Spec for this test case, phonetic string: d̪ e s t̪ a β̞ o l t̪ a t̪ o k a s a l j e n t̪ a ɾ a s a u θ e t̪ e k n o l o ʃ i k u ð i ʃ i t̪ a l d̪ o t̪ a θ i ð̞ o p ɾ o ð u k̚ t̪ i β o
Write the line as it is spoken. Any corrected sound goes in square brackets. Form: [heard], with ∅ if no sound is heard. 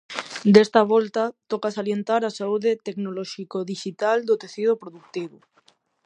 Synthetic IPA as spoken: d̪ e s t̪ a β̞ o l t̪ a t̪ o k a s a l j e n t̪ a ɾ a s a u [ð] e t̪ e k n o l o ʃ i k [o] ð i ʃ i t̪ a l d̪ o t̪ [e] θ i ð̞ o p ɾ o ð u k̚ t̪ i β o